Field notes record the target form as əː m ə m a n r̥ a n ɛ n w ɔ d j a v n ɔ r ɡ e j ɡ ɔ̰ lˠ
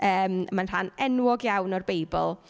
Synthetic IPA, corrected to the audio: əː m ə m a n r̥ a n ɛ n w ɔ ɡ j a w n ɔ r b e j b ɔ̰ lˠ